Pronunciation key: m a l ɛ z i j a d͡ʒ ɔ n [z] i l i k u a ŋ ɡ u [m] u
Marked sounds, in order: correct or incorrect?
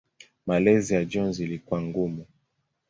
correct, correct

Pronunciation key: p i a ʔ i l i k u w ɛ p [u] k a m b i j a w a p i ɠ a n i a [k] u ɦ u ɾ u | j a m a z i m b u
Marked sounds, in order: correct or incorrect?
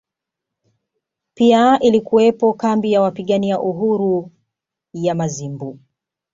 incorrect: ɔ, incorrect: ʔ

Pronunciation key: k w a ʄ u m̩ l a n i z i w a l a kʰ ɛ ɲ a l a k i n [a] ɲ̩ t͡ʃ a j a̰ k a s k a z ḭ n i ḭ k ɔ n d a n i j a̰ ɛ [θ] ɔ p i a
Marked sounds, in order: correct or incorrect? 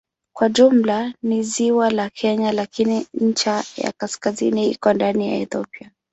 incorrect: i, correct

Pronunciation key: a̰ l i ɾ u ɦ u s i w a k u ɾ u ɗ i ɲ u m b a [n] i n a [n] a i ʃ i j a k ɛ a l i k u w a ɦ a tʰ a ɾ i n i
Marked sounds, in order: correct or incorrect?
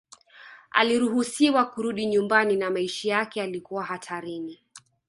correct, incorrect: m

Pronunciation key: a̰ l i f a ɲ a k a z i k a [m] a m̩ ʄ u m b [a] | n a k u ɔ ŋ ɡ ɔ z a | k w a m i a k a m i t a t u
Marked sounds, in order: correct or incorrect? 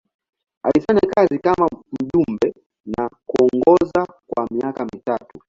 correct, incorrect: ɛ

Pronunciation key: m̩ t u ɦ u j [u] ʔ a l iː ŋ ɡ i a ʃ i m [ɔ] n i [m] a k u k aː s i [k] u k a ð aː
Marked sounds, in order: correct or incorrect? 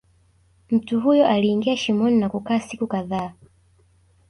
incorrect: ɔ, correct, incorrect: n, correct

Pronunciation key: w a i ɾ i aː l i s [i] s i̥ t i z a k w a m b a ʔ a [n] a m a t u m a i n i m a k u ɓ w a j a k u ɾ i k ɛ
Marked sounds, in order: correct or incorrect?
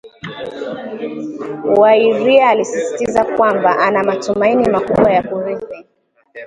correct, correct

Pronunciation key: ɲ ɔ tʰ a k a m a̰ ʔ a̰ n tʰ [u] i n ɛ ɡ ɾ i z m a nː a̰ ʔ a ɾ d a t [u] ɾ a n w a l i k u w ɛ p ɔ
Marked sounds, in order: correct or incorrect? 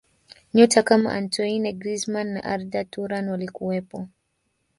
incorrect: ɔ, correct

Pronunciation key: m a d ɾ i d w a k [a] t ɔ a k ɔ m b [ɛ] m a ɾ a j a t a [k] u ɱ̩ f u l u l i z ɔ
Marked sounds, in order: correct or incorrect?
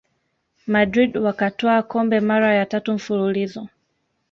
correct, correct, incorrect: t

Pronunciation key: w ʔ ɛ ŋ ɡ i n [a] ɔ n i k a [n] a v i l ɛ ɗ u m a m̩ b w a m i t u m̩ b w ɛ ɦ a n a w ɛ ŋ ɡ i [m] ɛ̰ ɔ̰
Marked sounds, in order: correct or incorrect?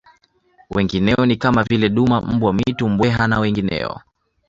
incorrect: ɛ, incorrect: m, incorrect: n

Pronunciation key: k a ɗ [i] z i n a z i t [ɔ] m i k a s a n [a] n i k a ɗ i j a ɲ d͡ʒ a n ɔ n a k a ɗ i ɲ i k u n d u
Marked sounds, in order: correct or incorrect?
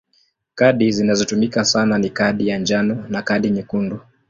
correct, incorrect: u, correct

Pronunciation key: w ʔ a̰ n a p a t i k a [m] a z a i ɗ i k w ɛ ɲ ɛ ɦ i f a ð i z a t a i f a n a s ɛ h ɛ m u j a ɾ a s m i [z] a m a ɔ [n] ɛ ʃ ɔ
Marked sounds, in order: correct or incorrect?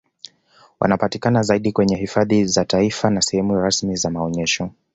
incorrect: n, correct, incorrect: ɲ

